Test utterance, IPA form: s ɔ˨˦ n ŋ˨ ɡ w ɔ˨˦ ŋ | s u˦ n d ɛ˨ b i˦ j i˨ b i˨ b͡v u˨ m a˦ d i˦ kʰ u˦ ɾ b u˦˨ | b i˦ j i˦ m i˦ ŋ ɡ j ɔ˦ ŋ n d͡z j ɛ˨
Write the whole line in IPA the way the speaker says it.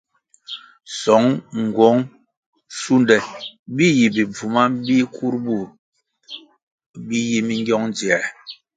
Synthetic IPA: s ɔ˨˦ ŋ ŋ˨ ɡ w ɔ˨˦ ŋ | s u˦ n d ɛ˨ b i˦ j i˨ b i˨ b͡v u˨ m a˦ b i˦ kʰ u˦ ɾ b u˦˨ | b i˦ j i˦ m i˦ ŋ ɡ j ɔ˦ ŋ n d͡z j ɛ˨